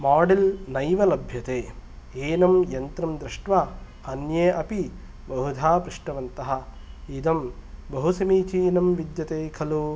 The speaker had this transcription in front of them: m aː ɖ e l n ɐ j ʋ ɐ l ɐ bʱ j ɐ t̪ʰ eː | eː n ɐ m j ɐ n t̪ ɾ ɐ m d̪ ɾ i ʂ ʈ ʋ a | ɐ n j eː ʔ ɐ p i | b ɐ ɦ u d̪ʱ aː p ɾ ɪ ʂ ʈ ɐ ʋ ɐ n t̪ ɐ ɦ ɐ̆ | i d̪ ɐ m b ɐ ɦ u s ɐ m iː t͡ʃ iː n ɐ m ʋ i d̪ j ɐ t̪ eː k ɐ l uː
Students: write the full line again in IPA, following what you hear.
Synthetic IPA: m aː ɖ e l n ɐ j ʋ ɐ l ɐ bʱ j ɐ t̪ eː | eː n ɐ m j ɐ n t̪ ɾ ɐ m d̪ ɾ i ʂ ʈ ʋ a | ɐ n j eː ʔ ɐ p i | b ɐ ɦ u d̪ʱ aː p ɾ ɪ ʂ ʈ ɐ ʋ ɐ n t̪ ɐ ɦ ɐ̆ | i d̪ ɐ m b ɐ ɦ u s ɐ m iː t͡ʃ iː n ɐ m ʋ i d̪ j ɐ t̪ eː kʰ ɐ l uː

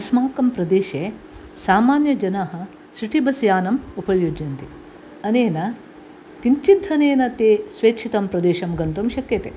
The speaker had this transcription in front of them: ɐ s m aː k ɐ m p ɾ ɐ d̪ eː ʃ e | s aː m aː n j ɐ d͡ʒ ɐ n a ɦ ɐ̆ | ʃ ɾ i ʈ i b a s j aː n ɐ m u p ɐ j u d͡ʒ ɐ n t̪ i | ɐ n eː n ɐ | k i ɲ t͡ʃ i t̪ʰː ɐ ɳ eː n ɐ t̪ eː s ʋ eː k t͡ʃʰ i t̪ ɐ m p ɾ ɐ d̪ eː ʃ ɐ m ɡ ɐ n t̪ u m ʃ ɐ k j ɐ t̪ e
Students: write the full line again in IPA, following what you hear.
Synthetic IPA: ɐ s m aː k ɐ m p ɾ ɐ d̪ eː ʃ e | s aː m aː n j ɐ d͡ʒ ɐ n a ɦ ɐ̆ | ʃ ɾ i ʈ i b ɐ s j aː n ɐ m u p ɐ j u d͡ʒ ɐ n t̪ i | ɐ n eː n ɐ | k i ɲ t͡ʃ i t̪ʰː ɐ n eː n ɐ t̪ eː s ʋ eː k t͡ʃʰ i t̪ ɐ m p ɾ ɐ d̪ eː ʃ ɐ m ɡ ɐ n t̪ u m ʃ ɐ k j ɐ t̪ e

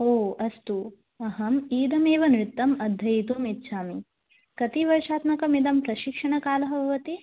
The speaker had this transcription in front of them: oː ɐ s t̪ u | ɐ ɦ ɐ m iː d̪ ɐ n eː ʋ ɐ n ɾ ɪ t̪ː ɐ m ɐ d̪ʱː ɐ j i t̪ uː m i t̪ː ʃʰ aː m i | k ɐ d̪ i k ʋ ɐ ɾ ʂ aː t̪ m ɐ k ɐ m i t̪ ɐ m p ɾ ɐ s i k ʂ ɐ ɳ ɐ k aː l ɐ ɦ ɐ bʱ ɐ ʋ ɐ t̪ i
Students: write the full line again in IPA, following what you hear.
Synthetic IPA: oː ɐ s t̪ u | ɐ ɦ ɐ m iː d̪ ɐ m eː ʋ ɐ n ɾ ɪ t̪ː ɐ m ɐ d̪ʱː ɐ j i t̪ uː m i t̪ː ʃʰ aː m i | k ɐ t̪ i ʋ ɐ ɾ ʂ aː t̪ m ɐ k ɐ m i d̪ ɐ m p ɾ ɐ ʃ i k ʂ ɐ ɳ ɐ k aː l ɐ ɦ ɐ bʱ ɐ ʋ ɐ t̪ i

